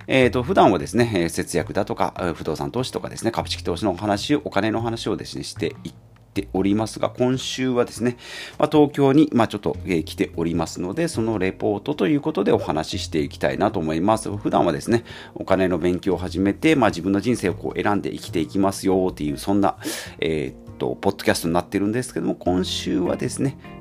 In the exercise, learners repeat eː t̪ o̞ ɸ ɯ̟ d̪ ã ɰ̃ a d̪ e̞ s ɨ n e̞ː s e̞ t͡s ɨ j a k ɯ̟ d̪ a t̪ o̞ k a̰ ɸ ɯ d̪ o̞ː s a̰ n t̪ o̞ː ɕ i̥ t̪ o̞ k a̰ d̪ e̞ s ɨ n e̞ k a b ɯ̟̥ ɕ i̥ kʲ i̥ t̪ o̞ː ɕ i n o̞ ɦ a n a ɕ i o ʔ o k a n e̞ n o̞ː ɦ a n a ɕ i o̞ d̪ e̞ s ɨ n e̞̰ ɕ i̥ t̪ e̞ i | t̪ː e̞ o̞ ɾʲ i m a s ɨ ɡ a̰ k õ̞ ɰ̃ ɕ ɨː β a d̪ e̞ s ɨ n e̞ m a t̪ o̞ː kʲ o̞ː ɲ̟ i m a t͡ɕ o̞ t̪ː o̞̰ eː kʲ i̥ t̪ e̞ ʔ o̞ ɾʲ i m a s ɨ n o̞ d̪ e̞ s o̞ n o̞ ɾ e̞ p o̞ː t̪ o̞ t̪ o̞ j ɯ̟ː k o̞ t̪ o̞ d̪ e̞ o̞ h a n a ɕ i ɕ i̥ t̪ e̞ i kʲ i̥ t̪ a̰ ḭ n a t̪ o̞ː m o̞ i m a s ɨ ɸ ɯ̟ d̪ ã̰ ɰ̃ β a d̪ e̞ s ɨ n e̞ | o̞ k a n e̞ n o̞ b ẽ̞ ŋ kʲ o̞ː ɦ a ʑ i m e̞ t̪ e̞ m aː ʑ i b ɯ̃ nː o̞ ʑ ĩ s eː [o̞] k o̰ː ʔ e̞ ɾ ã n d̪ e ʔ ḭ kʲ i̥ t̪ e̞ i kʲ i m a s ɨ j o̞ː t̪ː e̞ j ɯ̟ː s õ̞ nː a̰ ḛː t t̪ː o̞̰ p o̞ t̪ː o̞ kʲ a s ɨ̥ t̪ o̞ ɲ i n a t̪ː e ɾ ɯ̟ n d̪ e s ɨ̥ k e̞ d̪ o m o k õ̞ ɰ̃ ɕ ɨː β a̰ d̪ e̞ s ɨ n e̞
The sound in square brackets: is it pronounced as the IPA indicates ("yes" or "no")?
yes